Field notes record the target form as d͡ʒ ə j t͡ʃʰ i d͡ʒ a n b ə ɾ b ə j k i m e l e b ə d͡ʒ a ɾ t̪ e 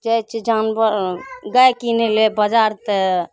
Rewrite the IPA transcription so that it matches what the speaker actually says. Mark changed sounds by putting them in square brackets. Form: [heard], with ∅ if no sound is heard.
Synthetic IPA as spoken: d͡ʒ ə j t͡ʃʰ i d͡ʒ a n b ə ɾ [ɡ] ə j k i [n] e l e b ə d͡ʒ a ɾ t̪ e